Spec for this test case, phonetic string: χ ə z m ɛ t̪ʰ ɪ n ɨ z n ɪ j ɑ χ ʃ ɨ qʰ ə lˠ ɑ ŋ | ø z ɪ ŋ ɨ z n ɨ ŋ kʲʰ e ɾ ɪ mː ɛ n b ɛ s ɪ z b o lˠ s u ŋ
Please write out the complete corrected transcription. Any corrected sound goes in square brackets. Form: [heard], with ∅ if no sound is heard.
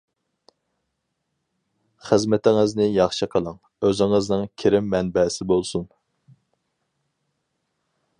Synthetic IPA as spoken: χ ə z m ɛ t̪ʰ ɪ [ŋ] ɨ z n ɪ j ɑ χ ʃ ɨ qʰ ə lˠ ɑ ŋ | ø z ɪ ŋ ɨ z n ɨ ŋ kʲʰ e ɾ ɪ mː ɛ n b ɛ s ɪ [∅] b o lˠ s u [n]